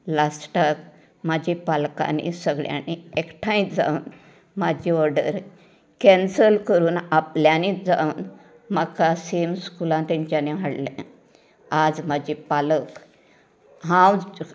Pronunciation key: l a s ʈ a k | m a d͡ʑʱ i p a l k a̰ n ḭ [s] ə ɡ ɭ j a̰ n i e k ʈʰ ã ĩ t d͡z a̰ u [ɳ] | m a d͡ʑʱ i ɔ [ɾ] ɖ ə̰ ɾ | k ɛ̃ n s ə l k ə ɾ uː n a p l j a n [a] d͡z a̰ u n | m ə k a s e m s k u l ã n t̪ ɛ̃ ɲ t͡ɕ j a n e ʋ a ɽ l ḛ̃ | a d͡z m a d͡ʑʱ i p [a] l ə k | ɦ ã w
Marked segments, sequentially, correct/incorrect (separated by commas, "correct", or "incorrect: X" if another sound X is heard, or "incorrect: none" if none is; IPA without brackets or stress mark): correct, incorrect: n, correct, incorrect: i, correct